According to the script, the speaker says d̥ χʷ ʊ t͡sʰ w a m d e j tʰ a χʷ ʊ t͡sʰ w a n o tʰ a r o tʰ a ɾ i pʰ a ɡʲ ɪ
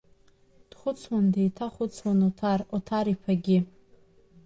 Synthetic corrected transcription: d̥ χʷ ʊ t͡sʰ w a n d e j tʰ a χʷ ʊ t͡sʰ w a n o tʰ a r o tʰ a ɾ i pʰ a ɡʲ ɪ

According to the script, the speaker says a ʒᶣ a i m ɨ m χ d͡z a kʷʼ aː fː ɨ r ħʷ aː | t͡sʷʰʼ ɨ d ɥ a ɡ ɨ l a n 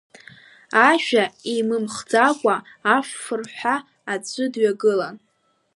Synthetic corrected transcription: a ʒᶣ a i m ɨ m χ d͡z a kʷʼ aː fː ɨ r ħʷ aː | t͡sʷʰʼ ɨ d ɥ a ɡ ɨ l a n

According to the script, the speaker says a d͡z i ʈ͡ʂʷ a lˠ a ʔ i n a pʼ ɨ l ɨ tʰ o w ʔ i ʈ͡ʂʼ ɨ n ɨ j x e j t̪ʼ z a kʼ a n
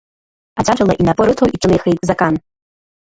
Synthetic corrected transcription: a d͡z a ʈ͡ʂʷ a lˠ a ʔ i n a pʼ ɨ ɾ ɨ tʰ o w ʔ i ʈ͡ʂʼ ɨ n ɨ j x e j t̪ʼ z a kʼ a n

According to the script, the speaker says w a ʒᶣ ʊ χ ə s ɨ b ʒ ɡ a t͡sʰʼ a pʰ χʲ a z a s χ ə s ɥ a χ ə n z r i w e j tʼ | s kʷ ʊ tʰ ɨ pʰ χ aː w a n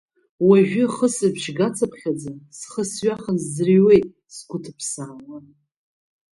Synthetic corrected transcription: w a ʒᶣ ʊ χ ə s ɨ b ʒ ɡ a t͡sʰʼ a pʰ χʲ a d͡z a s χ ə s ɥ a χ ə n z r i w e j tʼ | s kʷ ʊ tʰ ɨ pʰ s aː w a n

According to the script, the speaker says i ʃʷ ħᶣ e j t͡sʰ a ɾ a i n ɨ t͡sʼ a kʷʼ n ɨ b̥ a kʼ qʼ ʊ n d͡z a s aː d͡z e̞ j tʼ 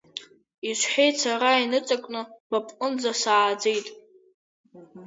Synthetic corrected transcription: i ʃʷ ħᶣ e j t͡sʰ a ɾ a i n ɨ t͡sʼ a kʷʼ n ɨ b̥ a pʼ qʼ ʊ n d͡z a s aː d͡z e̞ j tʼ

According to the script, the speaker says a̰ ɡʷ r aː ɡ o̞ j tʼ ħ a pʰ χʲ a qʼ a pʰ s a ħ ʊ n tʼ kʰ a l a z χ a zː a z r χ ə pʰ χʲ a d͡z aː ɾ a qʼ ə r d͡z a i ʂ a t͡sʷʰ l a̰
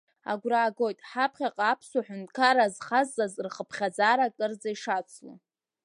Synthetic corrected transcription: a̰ ɡʷ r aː ɡ o̞ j tʼ ħ a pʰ χʲ a qʼ a pʰ s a ħ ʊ n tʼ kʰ a ɾ a z χ a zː a z r χ ə pʰ χʲ a d͡z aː ɾ a kʼ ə r d͡z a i ʂ a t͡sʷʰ l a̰

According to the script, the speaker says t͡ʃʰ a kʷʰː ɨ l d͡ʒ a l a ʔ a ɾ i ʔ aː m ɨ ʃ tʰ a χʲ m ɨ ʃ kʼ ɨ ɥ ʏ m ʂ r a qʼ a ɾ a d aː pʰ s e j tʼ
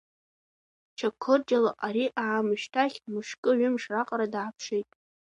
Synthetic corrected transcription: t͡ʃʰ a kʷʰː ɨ r d͡ʒ a l a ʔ a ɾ i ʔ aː m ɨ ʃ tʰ a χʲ m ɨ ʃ kʼ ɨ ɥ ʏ m ʂ r a qʼ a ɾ a d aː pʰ ʂ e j tʼ

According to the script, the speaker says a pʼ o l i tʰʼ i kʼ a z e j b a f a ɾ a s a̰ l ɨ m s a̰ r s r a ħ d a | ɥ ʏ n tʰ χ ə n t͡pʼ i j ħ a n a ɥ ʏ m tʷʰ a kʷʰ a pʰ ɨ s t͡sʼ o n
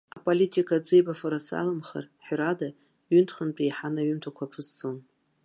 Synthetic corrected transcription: a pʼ o l i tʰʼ i kʼ a d͡z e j b a f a ɾ a s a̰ l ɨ m χ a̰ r ħ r a d a | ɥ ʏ n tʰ χ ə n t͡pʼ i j ħ a n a ɥ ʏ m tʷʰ a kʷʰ a pʰ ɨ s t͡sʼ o n

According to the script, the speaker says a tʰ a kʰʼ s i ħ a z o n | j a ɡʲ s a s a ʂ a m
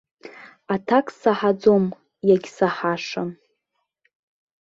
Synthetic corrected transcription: a tʰ a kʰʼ s a ħ a d͡z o m | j a ɡʲ s a ħ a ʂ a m

